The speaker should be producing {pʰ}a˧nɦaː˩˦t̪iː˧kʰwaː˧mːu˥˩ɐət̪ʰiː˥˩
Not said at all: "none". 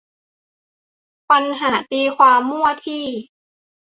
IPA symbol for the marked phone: p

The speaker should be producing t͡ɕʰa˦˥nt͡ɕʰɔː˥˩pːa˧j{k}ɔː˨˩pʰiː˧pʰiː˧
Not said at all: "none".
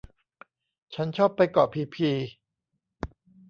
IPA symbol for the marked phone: k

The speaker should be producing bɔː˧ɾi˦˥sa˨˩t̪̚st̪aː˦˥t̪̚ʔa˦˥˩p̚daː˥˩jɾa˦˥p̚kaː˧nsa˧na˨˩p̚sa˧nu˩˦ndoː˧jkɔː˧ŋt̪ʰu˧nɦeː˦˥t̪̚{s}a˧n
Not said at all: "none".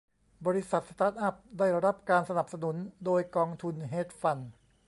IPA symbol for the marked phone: f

